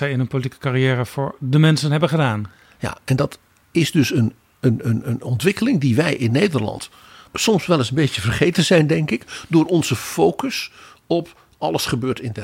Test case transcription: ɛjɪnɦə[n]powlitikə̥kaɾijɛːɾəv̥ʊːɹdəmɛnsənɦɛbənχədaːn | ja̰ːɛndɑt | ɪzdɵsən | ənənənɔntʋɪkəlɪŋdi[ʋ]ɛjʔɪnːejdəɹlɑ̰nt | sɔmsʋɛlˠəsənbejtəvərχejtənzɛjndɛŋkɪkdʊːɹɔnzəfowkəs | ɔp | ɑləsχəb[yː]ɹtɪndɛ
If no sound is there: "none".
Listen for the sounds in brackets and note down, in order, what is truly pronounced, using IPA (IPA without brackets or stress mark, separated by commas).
n, ʋ, øː